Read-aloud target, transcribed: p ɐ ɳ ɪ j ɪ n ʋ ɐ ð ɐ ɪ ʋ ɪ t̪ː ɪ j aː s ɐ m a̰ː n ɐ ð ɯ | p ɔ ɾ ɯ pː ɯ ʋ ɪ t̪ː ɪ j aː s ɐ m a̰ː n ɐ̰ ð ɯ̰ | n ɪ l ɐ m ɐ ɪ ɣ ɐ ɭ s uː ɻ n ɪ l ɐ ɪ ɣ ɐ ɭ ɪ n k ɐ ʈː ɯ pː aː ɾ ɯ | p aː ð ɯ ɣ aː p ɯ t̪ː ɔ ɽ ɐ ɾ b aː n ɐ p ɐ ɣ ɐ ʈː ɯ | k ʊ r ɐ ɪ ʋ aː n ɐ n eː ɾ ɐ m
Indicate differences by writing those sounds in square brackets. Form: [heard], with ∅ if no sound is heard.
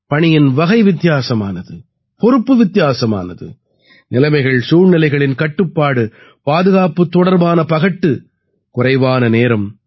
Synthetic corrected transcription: p ɐ ɳ ɪ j ɪ n ʋ ɐ [ɣ] ɐ ɪ ʋ ɪ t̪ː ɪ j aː s ɐ m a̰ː n ɐ ð ɯ | p ɔ ɾ ɯ pː ɯ ʋ ɪ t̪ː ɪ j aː s ɐ m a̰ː n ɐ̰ ð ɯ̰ | n ɪ l ɐ m ɐ ɪ ɣ ɐ ɭ s uː ɻ n ɪ l ɐ ɪ ɣ ɐ ɭ ɪ n k ɐ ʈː ɯ pː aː [ɽ] ɯ | p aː ð ɯ ɣ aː p ɯ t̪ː ɔ ɽ ɐ ɾ b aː n ɐ p ɐ ɣ ɐ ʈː ɯ | k ʊ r ɐ ɪ ʋ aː n ɐ n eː ɾ ɐ m

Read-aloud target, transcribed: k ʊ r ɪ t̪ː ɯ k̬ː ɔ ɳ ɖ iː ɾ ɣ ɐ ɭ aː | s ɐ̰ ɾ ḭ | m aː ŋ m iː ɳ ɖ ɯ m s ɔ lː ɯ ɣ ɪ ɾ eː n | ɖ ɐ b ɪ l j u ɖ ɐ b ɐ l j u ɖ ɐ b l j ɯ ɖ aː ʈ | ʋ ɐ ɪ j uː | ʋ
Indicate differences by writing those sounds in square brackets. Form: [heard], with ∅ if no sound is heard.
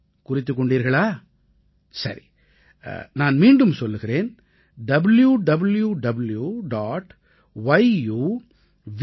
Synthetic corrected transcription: k ʊ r ɪ t̪ː ɯ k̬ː ɔ ɳ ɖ iː ɾ ɣ ɐ ɭ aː | s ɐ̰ ɾ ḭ | [n] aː [n] m iː ɳ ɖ ɯ m s ɔ lː ɯ ɣ ɪ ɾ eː n | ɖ ɐ b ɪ l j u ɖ ɐ b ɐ l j u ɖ ɐ b l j [u] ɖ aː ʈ | ʋ ɐ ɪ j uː | ʋ

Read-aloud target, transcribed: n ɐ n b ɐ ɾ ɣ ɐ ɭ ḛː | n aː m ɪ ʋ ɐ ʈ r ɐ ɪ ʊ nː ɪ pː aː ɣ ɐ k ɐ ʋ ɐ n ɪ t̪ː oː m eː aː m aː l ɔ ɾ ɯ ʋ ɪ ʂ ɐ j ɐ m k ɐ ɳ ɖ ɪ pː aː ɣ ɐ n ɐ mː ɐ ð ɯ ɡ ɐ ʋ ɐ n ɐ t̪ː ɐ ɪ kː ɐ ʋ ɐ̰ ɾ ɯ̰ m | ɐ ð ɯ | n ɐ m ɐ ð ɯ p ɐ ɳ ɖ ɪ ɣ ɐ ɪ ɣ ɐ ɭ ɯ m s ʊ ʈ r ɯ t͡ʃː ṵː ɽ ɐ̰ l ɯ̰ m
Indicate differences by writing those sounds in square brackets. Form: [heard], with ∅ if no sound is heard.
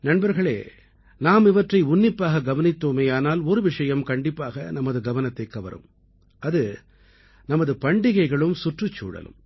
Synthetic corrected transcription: n ɐ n b ɐ ɾ ɣ ɐ ɭ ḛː | n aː m ɪ ʋ ɐ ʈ r ɐ ɪ ʊ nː ɪ pː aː ɣ ɐ [ɡ] ɐ ʋ ɐ n ɪ t̪ː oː m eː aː [n] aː l ɔ ɾ ɯ ʋ ɪ ʂ ɐ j ɐ m k ɐ ɳ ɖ ɪ pː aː ɣ ɐ n ɐ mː ɐ ð ɯ ɡ ɐ ʋ ɐ n ɐ t̪ː ɐ ɪ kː ɐ ʋ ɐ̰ ɾ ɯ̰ m | ɐ ð ɯ | n ɐ m ɐ ð ɯ p ɐ ɳ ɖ ɪ ɣ ɐ ɪ ɣ ɐ ɭ ɯ m s ʊ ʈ r ɯ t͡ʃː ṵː ɽ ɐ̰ l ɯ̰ m

